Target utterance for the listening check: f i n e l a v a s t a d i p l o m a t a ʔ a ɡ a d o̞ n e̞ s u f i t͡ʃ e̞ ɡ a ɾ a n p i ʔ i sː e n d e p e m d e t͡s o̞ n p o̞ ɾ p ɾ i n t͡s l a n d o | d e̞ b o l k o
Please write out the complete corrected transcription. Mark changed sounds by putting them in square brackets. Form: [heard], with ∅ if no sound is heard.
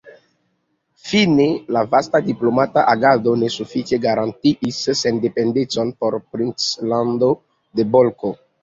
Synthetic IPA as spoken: f i n e l a v a s t a d i p l o m a t a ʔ a ɡ a d o̞ n e̞ s u f i t͡ʃ e̞ ɡ a ɾ a n [t] i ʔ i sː e n d e p e [n] d e t͡s o̞ n p o̞ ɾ p ɾ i n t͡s l a n d o | d e̞ b o l k o